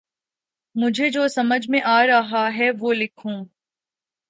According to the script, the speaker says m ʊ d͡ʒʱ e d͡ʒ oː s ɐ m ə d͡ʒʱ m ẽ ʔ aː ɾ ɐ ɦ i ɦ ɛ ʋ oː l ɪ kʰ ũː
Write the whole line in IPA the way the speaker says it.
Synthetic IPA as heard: m ʊ d͡ʒʱ e d͡ʒ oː s ɐ m ə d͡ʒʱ m ẽ ʔ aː ɾ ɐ ɦ a ɦ ɛ ʋ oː l ɪ kʰ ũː